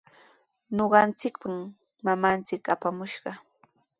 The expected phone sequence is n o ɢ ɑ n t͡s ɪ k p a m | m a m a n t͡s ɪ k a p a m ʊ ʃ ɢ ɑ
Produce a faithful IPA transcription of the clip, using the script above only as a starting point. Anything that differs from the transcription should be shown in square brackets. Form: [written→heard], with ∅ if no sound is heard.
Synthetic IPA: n o ɢ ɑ n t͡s ɪ k p a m | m a m a n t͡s ɪ k a p a m ʊ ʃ ɢ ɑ